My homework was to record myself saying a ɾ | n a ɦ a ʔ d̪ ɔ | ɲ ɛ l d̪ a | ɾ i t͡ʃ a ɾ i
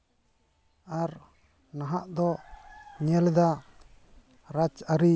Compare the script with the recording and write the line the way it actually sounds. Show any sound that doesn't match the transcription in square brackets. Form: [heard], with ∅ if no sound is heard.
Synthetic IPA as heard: a ɾ | n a ɦ a ʔ d̪ ɔ | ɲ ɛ l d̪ a | ɾ [a] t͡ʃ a ɾ i